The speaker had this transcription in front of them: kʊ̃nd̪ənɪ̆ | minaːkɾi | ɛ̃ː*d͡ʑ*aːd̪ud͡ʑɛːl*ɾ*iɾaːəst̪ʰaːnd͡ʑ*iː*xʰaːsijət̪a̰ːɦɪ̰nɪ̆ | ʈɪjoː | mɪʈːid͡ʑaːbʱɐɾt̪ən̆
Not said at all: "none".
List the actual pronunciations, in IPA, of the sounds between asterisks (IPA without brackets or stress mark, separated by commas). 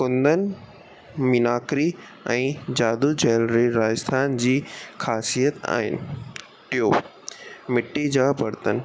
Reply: d͡ʑ, ɾ, iː